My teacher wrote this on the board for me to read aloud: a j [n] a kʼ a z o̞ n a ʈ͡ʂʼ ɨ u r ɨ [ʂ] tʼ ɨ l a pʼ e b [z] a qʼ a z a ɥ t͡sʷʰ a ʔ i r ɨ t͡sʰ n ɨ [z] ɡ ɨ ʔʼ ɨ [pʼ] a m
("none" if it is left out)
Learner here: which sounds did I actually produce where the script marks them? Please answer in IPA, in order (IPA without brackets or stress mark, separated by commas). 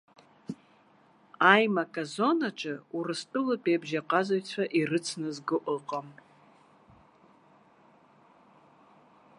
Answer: m, s, ʒ, z, qʼ